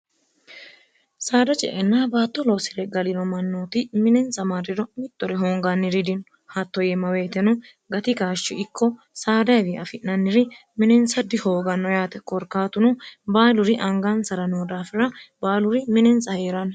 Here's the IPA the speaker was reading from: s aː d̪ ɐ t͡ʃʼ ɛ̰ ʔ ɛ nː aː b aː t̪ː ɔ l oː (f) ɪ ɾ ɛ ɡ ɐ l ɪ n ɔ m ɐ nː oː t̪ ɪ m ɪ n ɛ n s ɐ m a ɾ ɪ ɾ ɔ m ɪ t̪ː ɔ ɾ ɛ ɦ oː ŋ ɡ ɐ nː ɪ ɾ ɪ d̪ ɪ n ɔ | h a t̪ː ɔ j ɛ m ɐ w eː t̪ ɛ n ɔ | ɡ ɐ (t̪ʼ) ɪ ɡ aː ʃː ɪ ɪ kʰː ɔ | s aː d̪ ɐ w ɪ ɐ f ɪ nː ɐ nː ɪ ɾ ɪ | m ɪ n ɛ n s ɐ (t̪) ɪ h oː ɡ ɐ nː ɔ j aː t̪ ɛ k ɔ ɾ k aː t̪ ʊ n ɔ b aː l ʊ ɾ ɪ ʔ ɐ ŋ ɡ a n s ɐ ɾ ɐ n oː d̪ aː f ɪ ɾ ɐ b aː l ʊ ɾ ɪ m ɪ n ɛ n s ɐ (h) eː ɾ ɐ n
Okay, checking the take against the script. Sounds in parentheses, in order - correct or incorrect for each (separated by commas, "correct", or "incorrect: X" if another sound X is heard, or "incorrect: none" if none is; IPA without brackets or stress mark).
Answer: incorrect: s, incorrect: t̪, incorrect: d̪, correct